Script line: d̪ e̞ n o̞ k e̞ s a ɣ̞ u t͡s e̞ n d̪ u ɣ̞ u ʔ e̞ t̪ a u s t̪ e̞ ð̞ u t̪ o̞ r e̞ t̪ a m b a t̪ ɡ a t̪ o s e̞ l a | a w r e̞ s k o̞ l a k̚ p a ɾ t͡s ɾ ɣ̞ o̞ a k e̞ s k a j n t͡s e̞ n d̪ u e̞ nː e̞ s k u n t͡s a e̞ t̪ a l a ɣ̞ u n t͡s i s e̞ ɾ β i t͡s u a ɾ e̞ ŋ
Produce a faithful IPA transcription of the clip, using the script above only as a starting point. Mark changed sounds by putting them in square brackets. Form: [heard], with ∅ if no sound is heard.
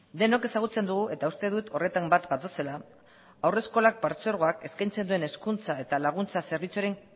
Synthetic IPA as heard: d̪ e̞ n o̞ k e̞ s a ɣ̞ u t͡s e̞ n d̪ u ɣ̞ u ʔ e̞ t̪ a u s t̪ e̞ ð̞ u t̪ o̞ r e̞ t̪ a m b a t̪ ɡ a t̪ o s e̞ l a | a w r e̞ s k o̞ l a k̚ p a ɾ t͡s ɾ ɣ̞ o̞ a k e̞ s k a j n t͡s e̞ n d̪ u e̞ [n] e̞ s k u n t͡s a e̞ t̪ a l a ɣ̞ u n t͡s [a] s e̞ ɾ β i t͡s u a ɾ e̞ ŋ

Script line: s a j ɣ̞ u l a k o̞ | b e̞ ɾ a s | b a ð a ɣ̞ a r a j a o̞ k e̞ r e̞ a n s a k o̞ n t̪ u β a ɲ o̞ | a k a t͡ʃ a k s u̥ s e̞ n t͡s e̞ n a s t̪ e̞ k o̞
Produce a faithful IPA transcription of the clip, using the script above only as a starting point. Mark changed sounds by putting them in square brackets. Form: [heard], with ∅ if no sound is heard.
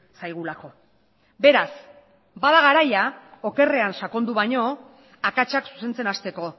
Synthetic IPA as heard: s a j ɣ̞ u l a k o̞ | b e̞ ɾ a s | b a ð a ɣ̞ a [ɾ] a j a o̞ k e̞ r e̞ a n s a k o̞ n [d̪] u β a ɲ o̞ | a k a t͡ʃ a k s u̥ s e̞ n t͡s e̞ n a s t̪ e̞ k o̞

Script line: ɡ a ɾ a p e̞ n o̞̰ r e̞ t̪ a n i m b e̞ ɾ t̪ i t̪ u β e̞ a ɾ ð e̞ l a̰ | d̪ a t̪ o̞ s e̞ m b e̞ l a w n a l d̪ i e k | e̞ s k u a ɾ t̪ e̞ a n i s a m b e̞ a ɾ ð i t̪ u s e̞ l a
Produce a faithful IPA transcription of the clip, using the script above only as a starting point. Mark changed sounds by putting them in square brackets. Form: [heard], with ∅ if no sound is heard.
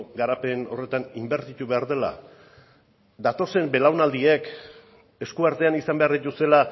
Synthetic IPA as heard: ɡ a ɾ a p e̞ n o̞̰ r e̞ t̪ a n i m b e̞ ɾ t̪ i t̪ u β e̞ a ɾ ð e̞ l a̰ | d̪ a t̪ o̞ s e̞ m b e̞ l a w n a l d̪ i e k | e̞ s k u a ɾ t̪ e̞ a n i s a m b e̞ a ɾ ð i t̪ u s e̞ l a

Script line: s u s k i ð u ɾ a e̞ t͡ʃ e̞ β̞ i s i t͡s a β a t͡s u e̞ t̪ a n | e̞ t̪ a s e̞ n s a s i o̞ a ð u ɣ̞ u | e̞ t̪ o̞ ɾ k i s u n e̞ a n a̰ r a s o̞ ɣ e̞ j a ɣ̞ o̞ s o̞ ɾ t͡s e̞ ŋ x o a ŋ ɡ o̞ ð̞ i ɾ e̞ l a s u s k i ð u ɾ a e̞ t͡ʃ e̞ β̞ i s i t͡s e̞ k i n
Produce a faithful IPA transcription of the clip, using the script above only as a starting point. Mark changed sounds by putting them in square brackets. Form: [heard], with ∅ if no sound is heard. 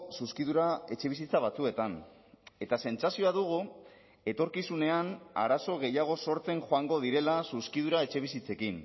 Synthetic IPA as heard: s u s k i ð u ɾ a e̞ t͡ʃ e̞ β̞ i s i t͡s a β a t͡s u e̞ t̪ a n | e̞ t̪ a s e̞ n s a s i o̞ a ð u ɣ̞ u | e̞ t̪ o̞ ɾ k i s u n e̞ a n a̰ [ɾ] a s o̞ ɣ e̞ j a ɣ̞ o̞ s o̞ ɾ t͡s e̞ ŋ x o a ŋ ɡ o̞ ð̞ i ɾ e̞ l a s u s k i ð u ɾ a e̞ t͡ʃ e̞ β̞ i s i t͡s e̞ k i n

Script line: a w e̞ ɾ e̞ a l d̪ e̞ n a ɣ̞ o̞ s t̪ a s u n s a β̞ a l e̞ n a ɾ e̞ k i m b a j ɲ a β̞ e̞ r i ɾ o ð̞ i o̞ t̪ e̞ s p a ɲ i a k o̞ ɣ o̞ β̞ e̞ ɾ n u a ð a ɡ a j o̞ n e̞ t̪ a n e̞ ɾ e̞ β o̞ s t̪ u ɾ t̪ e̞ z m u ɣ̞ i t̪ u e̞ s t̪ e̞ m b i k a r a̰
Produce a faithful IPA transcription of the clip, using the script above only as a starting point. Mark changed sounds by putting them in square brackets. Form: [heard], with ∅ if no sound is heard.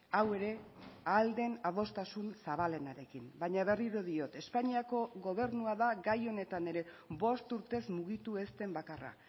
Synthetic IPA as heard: a w e̞ ɾ e̞ a l d̪ e̞ n a [ð̞] o̞ s t̪ a s u n s a β̞ a l e̞ n a ɾ e̞ k i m b a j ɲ a β̞ e̞ r i ɾ o ð̞ i o̞ t̪ e̞ s p a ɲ i a k o̞ ɣ o̞ β̞ e̞ ɾ n u a ð a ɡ a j o̞ n e̞ t̪ a n e̞ ɾ e̞ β o̞ s t̪ u ɾ t̪ e̞ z m u ɣ̞ i t̪ u e̞ s t̪ e̞ m b [a] k a r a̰

